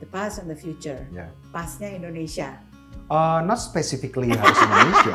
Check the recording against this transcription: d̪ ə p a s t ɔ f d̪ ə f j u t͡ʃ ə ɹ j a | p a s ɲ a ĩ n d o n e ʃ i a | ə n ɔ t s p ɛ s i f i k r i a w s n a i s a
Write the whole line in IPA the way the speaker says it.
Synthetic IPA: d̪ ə p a s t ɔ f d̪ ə f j u t͡ʃ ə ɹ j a | p a s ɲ a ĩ n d o n e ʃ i a | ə n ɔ t s p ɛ s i f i k l i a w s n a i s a